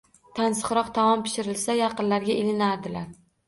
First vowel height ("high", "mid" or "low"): low